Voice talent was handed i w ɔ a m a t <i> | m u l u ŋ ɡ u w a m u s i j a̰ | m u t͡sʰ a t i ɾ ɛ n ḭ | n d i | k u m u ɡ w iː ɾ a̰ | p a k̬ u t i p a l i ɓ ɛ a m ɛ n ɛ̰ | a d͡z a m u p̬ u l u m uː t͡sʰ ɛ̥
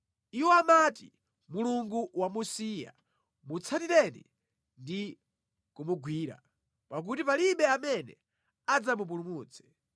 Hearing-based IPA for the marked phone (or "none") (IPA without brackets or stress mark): i